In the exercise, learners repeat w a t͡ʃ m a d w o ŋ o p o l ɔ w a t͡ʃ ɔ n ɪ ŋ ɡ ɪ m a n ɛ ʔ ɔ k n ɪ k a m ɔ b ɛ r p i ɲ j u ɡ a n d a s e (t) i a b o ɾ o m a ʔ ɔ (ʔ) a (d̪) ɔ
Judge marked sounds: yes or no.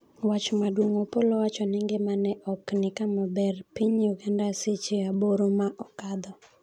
no, no, yes

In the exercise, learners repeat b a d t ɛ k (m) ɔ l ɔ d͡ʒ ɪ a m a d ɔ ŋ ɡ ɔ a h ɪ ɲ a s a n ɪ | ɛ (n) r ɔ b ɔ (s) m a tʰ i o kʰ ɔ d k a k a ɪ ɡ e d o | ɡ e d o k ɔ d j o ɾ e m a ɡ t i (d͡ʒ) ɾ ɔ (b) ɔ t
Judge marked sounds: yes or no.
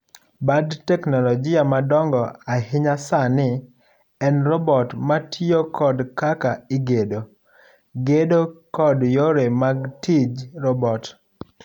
no, yes, no, yes, yes

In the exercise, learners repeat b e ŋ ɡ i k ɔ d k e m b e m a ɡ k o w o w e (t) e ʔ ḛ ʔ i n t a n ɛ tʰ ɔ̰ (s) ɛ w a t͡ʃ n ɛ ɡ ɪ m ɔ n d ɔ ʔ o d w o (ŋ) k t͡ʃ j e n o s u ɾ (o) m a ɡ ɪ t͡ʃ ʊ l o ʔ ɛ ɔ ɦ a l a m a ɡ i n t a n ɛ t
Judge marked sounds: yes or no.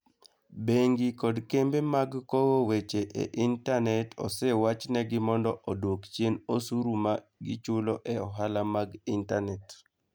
no, yes, no, no

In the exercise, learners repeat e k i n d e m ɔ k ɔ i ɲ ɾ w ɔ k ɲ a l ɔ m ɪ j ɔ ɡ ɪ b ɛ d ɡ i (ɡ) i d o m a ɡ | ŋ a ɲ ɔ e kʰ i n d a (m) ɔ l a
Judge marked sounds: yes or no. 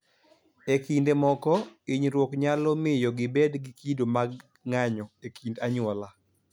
no, no

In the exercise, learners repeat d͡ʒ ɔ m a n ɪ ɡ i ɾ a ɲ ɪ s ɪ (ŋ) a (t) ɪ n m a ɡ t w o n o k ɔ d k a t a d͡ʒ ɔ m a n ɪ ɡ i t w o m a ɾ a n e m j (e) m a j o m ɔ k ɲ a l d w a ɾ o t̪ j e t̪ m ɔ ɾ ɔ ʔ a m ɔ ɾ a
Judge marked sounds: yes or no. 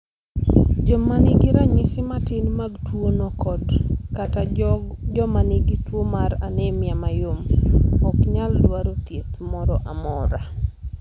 no, yes, no

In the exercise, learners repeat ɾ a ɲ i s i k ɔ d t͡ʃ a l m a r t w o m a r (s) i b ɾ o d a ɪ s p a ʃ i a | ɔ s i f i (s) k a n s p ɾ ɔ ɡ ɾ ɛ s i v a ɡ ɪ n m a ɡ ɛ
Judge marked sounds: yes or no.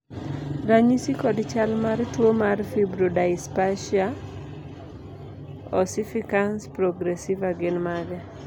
no, no

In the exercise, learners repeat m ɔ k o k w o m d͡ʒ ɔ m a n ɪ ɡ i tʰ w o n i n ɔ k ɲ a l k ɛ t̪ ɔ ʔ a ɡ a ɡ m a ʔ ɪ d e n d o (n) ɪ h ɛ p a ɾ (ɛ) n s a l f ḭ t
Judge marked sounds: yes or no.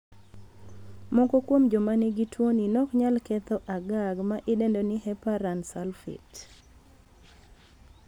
yes, no

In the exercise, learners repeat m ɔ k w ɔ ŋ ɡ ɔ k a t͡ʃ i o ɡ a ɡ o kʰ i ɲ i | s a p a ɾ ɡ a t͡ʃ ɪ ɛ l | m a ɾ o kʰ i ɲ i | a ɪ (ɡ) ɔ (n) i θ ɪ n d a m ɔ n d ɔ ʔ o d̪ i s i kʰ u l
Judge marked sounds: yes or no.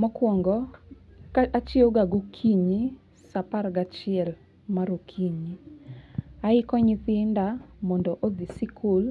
no, no

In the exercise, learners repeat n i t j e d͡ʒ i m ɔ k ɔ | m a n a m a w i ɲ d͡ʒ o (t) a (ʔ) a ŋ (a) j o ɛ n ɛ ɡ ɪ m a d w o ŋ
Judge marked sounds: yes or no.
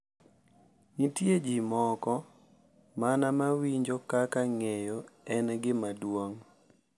no, no, no

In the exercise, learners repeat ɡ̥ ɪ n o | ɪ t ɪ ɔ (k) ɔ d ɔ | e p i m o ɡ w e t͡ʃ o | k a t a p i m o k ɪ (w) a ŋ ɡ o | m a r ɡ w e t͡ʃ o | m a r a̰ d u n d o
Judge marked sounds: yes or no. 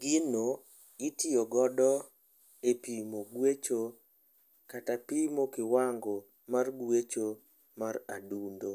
no, yes

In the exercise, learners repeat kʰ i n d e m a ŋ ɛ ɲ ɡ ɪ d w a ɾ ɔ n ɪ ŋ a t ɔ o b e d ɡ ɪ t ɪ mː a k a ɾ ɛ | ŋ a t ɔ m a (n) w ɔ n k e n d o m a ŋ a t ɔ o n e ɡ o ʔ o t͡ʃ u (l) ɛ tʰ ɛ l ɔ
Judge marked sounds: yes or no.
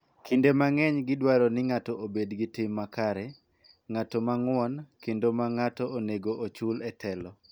no, yes

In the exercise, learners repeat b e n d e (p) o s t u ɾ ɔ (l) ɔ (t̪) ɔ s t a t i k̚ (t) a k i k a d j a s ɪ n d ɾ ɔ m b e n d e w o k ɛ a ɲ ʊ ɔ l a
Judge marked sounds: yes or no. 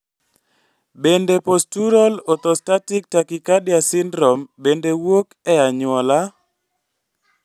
yes, yes, yes, yes

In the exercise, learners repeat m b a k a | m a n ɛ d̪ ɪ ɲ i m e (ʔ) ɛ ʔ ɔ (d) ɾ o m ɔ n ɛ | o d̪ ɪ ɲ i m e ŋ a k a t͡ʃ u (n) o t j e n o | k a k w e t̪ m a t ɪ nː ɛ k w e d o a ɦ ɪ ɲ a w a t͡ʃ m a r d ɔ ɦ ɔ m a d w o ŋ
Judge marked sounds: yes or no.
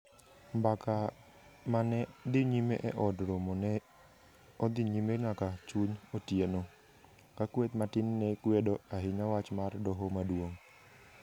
yes, yes, no

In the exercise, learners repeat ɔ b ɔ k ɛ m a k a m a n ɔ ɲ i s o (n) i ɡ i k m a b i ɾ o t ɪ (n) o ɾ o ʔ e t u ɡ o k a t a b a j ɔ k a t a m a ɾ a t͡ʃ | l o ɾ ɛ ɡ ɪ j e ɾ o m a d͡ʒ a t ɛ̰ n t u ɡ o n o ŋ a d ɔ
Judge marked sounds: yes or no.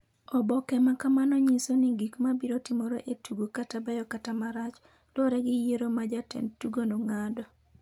yes, no

